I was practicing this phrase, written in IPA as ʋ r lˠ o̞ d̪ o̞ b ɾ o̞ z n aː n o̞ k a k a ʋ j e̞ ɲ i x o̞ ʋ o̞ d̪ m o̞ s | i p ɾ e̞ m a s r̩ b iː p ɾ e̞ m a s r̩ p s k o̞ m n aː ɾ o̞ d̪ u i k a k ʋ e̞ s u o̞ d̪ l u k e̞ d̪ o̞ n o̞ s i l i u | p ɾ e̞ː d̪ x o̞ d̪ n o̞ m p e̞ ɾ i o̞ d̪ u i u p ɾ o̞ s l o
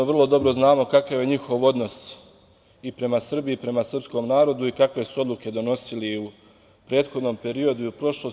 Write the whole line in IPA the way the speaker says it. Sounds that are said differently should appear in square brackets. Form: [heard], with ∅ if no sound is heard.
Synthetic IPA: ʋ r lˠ o̞ d̪ o̞ b ɾ o̞ z n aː [m] o̞ k a k a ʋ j e̞ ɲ i x o̞ ʋ o̞ d̪ [n] o̞ s | i p ɾ e̞ m a s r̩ b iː p ɾ e̞ m a s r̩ p s k o̞ m n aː ɾ o̞ d̪ u i k a k ʋ e̞ s u o̞ d̪ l u k e̞ d̪ o̞ n o̞ s i l i u | p ɾ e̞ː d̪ x o̞ d̪ n o̞ m p e̞ ɾ i o̞ d̪ u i u p ɾ o̞ [ʃ] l o